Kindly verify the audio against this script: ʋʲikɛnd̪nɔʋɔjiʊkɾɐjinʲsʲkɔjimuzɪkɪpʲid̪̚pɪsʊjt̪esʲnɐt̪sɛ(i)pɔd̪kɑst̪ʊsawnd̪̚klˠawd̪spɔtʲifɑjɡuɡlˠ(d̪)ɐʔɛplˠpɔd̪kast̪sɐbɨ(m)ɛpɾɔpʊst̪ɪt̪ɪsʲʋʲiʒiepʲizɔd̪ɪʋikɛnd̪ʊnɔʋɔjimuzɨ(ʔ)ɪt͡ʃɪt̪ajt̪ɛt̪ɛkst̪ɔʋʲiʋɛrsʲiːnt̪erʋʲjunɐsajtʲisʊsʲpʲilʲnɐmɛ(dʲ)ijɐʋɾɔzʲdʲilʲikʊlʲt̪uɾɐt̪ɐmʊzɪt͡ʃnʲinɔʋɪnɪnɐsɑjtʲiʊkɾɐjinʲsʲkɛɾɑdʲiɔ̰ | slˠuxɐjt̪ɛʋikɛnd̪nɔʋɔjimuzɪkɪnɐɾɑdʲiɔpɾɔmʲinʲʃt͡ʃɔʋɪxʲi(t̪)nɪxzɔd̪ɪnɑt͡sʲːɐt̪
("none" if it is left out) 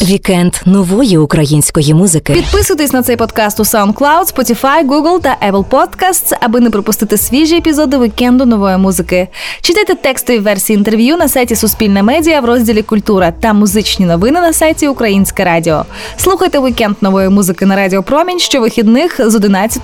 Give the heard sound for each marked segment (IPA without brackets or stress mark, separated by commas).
j, t̪, n, k, dʲ, d̪